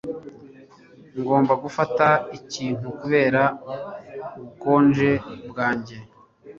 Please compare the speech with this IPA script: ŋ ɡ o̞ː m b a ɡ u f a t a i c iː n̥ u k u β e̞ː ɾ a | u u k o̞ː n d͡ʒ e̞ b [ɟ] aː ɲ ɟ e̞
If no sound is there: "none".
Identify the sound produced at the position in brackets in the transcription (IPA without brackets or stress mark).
ɡ